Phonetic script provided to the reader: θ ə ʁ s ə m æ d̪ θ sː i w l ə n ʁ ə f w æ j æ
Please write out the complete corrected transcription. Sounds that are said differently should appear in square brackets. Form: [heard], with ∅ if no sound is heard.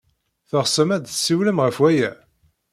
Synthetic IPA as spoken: θ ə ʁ s ə m æ d̪ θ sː i w l ə [m] ʁ ə f w æ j æ

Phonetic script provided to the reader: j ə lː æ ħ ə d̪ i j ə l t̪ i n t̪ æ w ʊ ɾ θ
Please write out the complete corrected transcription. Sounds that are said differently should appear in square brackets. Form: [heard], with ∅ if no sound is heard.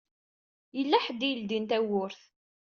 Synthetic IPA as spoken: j ə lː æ ħ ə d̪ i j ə l [d̪] i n t̪ æ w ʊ ɾ θ

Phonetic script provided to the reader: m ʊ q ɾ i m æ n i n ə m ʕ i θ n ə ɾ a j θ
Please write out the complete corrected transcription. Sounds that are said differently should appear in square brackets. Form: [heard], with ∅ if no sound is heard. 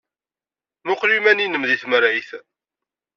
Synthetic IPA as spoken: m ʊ q [l] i m æ n i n ə m [ð] i θ [m] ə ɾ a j θ

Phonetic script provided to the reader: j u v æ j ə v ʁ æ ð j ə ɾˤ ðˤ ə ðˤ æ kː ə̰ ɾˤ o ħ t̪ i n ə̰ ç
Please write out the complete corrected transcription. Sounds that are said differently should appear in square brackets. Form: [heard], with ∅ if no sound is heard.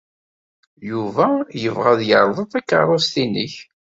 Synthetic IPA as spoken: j u v æ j ə v ʁ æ ð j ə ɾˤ ðˤ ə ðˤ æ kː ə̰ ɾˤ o [s] t̪ i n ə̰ ç

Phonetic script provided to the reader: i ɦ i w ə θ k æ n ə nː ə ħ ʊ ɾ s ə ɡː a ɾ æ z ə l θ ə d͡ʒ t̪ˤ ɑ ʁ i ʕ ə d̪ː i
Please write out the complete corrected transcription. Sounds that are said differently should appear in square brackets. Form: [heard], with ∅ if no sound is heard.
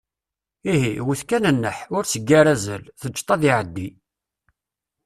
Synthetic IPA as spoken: i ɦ i w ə θ k æ n ə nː ə ħ ʊ ɾ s ə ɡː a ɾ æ z ə l θ ə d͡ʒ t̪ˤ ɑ [ð] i ʕ ə d̪ː i

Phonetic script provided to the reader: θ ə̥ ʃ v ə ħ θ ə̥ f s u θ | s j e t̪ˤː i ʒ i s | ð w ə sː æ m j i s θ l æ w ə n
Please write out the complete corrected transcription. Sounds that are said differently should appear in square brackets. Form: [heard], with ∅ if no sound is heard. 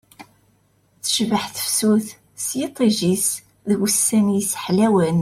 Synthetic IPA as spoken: θ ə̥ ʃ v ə ħ θ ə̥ f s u θ | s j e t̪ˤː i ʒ i s | ð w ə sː æ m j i s [ħ] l æ w ə n

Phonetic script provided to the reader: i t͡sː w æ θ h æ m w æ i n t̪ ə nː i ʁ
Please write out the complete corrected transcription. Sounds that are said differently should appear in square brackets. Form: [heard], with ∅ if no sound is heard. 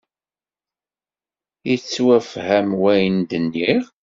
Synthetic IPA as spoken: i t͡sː w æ [f] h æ m w æ [j] n [d̪] ə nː i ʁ

